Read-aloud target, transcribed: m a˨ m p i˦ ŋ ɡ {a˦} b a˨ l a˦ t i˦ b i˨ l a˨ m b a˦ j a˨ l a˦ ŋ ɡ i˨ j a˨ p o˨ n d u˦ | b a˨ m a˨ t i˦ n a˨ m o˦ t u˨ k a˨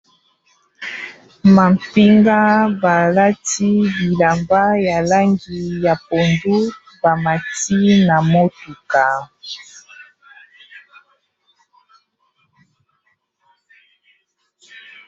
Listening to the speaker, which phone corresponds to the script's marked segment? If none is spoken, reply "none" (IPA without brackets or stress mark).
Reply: a˦